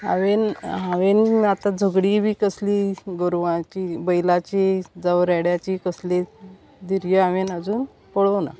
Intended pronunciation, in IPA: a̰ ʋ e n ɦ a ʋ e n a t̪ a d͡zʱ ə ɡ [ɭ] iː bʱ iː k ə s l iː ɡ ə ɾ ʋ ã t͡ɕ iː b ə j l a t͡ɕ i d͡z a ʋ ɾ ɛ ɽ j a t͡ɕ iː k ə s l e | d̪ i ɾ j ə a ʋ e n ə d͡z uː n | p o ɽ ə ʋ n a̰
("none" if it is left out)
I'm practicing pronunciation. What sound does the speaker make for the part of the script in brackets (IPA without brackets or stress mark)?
ɽ